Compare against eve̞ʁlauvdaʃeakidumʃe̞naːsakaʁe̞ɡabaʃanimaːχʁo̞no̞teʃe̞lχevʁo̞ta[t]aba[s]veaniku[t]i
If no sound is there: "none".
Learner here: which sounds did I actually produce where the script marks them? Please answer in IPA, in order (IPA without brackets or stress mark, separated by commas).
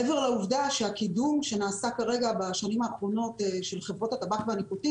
t, χ, t